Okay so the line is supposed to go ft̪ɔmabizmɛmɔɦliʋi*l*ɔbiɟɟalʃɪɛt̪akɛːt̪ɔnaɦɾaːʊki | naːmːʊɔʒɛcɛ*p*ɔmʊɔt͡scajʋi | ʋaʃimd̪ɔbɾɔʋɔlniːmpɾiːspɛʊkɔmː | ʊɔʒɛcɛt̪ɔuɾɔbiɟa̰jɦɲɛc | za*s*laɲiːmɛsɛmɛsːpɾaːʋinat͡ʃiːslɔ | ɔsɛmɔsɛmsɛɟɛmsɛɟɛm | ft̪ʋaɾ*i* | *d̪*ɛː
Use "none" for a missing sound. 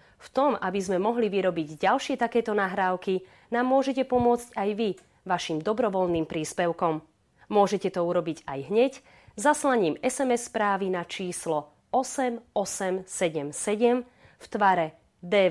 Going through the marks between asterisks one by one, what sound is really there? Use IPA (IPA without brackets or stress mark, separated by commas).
ɾ, p, s, ɛ, d̪